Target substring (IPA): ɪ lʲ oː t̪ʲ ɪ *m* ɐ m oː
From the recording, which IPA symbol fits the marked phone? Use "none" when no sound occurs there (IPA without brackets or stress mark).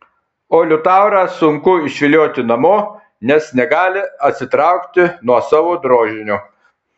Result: n